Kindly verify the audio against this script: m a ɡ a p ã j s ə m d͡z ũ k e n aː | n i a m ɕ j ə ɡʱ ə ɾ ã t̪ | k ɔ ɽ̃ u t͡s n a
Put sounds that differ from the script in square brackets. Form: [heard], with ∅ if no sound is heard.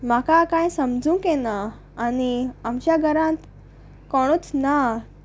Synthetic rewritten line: m a [k] a [k] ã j s ə m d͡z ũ k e n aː | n i a m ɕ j [a] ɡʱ ə ɾ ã t̪ | k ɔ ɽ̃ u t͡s n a

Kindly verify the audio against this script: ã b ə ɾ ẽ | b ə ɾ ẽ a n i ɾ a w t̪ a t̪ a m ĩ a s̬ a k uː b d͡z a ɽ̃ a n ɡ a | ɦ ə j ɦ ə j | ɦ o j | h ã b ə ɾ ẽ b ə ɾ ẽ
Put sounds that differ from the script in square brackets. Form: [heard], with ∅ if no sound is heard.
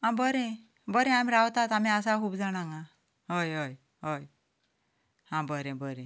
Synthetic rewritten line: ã b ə ɾ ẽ | b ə ɾ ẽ a [m] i ɾ a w t̪ a t̪ a m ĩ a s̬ a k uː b d͡z a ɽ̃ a [ŋ] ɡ a | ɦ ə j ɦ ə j | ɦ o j | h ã b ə ɾ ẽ b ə ɾ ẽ

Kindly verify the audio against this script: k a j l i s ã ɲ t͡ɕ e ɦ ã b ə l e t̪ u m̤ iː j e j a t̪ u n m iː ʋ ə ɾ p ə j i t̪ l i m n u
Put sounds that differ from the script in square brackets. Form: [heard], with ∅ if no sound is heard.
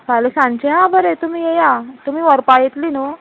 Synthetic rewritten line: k a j l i s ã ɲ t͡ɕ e ɦ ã b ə [ɾ] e t̪ u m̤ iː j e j a t̪ u [∅] m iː ʋ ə ɾ p [a] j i t̪ l i [∅] n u

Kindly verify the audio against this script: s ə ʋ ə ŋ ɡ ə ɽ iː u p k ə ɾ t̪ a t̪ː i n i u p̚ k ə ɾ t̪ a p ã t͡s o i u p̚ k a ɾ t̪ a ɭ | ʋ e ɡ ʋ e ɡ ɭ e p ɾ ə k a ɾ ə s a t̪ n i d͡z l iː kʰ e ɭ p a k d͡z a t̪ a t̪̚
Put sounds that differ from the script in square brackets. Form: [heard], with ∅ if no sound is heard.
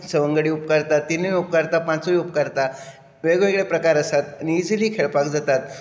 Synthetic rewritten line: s ə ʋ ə ŋ ɡ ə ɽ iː u p k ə ɾ t̪ a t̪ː i n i u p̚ k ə ɾ t̪ a p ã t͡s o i u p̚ k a ɾ t̪ a [∅] | ʋ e ɡ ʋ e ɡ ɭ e p ɾ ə k a ɾ ə s a t̪ n i d͡z l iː kʰ e ɭ p a k d͡z a t̪ a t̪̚

